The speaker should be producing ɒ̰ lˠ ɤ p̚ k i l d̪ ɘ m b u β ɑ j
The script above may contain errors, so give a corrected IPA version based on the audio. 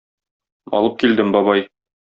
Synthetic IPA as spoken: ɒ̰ lˠ ɤ p̚ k i l d̪ ɘ m b ɒ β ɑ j